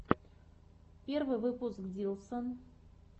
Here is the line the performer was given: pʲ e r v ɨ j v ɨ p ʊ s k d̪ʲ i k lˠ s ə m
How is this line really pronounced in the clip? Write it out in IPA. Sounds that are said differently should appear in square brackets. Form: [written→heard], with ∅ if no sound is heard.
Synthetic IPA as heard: pʲ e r v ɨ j v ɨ p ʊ s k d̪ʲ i [k→∅] lˠ s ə [m→n]

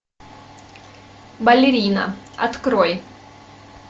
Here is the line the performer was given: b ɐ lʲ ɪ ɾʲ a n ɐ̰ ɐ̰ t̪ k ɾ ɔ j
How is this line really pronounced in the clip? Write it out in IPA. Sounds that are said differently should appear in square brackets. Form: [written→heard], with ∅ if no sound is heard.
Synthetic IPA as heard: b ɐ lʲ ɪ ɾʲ [a→i] n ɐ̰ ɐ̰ t̪ k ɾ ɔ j

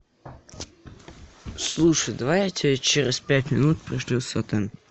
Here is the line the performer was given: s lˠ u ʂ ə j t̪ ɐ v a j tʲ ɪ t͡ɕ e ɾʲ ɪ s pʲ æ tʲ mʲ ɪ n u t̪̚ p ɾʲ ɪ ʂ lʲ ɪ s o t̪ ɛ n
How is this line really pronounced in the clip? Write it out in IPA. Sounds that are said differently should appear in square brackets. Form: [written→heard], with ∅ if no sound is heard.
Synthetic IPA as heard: s lˠ u ʂ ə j [t̪→d̪] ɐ v a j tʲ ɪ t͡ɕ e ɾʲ ɪ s pʲ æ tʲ mʲ ɪ n u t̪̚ p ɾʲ ɪ ʂ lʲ [ɪ→i] s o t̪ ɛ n

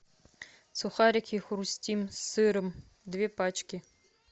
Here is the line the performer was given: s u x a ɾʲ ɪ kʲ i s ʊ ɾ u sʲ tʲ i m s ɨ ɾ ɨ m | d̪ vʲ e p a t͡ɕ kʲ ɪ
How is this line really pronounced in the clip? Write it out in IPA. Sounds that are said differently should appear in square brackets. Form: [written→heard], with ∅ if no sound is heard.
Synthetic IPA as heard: s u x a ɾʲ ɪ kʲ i [s→x] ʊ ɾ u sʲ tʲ i m s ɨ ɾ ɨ m | d̪ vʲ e p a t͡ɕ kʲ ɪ

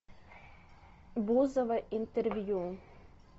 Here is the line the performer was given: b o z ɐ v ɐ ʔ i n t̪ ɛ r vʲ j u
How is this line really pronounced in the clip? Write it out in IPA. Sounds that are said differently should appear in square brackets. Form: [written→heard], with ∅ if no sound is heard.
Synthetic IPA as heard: b [o→u] z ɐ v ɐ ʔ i n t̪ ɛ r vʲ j u

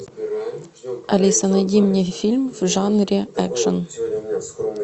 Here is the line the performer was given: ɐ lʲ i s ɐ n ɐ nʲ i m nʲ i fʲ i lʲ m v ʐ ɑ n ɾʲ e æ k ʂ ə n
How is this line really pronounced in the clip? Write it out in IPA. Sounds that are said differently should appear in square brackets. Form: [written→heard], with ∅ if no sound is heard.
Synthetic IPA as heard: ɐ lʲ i s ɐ n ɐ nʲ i m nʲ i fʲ i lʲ m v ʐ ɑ n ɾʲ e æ k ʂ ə n

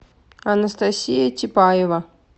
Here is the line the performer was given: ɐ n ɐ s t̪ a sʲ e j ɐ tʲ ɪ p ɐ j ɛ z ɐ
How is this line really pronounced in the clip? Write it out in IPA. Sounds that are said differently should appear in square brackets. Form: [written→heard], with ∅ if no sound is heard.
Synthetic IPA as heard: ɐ n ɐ s t̪ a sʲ [e→i] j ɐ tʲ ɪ p [ɐ→a] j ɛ [z→v] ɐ

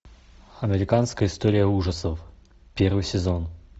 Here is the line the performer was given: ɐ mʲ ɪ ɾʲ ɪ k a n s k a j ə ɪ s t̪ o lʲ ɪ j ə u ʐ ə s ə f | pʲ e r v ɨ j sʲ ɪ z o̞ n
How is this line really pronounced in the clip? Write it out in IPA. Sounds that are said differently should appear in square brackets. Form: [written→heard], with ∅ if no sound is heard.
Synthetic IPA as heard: ɐ mʲ ɪ ɾʲ ɪ k a n s k [a→ə] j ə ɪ s t̪ o [lʲ→ɾʲ] ɪ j ə u ʐ ə s ə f | pʲ e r v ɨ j sʲ ɪ z o̞ n

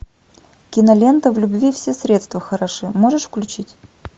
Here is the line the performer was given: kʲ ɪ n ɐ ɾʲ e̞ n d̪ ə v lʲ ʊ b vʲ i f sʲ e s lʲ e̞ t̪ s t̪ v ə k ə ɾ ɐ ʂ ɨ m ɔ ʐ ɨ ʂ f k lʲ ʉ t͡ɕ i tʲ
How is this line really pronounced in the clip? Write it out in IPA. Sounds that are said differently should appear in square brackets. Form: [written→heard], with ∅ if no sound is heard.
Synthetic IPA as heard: kʲ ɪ n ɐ [ɾʲ→lʲ] e̞ n [d̪→t̪] ə v lʲ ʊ b vʲ i f sʲ e s [lʲ→ɾʲ] e̞ t̪ s t̪ v ə [k→x] ə ɾ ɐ ʂ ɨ m [ɔ→o] ʐ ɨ ʂ f k lʲ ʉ t͡ɕ i tʲ

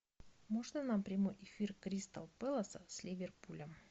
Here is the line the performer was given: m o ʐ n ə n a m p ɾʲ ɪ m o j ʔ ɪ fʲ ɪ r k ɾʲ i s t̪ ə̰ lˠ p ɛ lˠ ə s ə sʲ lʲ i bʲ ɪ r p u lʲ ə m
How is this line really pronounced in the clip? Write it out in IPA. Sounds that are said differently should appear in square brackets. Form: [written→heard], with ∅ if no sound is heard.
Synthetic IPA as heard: m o ʐ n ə n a m p ɾʲ ɪ m o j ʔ ɪ fʲ [ɪ→i] r k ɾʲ i s t̪ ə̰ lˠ p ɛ lˠ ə s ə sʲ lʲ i [bʲ→vʲ] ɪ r p u lʲ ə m

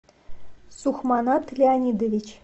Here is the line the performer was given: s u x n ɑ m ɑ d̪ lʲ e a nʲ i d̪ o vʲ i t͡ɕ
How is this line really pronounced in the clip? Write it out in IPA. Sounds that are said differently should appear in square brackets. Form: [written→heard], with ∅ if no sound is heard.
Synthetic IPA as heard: s u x [n→m] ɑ [m→n] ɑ [d̪→t̪] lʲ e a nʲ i d̪ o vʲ i t͡ɕ

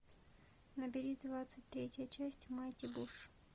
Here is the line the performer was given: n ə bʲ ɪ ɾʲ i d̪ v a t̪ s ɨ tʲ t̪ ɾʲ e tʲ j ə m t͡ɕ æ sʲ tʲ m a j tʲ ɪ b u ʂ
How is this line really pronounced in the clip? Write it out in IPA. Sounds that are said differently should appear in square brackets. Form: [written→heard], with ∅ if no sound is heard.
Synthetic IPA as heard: n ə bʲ ɪ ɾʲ i d̪ v a t̪ s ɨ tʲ t̪ ɾʲ e tʲ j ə [m→∅] t͡ɕ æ sʲ tʲ m a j tʲ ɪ b u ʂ

